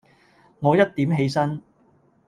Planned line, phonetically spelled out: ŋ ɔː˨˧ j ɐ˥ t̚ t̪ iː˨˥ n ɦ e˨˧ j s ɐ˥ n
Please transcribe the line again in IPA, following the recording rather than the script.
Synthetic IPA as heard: ŋ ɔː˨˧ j ɐ˥ t̚ t̪ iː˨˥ m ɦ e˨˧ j s ɐ˥ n